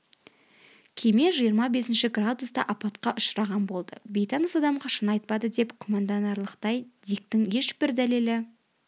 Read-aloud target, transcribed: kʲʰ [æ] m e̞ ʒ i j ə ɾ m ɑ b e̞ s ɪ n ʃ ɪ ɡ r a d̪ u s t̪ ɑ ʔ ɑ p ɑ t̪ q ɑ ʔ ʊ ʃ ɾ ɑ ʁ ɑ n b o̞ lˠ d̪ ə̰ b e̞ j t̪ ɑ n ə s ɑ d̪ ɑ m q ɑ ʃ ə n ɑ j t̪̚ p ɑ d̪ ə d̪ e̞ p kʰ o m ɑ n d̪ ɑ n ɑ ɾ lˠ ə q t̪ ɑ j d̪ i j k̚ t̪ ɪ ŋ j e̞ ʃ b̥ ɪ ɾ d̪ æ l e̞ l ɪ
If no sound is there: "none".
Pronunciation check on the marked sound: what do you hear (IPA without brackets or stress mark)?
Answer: e